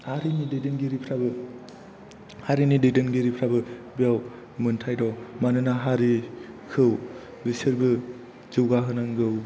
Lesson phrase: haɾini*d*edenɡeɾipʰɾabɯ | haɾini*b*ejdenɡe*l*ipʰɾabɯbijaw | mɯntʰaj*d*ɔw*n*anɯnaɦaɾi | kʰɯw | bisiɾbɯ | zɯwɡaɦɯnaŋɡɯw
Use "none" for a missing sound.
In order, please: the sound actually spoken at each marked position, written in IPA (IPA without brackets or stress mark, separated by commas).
d, d, ɾ, d, m